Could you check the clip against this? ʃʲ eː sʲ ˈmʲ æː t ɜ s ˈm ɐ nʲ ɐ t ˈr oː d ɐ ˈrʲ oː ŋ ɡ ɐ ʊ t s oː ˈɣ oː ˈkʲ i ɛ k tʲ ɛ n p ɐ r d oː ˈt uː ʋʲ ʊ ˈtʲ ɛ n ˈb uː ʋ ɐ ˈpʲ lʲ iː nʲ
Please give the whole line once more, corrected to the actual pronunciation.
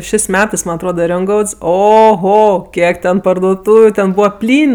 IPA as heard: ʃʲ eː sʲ ˈmʲ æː t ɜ s ˈm ɐ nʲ ɐ t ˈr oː d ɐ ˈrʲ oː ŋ ɡ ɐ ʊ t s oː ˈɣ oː ˈkʲ i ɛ k tʲ ɛ n p ɐ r d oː ˈt uː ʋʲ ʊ ˈtʲ ɛ n ˈb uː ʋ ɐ ˈpʲ lʲ iː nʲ